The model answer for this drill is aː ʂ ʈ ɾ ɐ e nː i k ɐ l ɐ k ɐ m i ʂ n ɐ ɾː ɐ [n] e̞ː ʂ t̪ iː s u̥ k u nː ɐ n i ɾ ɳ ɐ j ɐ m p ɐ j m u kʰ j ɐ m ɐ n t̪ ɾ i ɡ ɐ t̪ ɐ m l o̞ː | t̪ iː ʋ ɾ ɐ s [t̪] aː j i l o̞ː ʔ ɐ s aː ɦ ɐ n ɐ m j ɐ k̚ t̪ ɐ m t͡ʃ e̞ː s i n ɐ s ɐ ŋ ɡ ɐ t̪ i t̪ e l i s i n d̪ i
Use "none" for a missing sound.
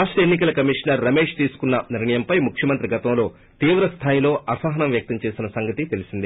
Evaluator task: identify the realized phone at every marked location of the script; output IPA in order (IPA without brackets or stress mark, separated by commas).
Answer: m, t̪ʰ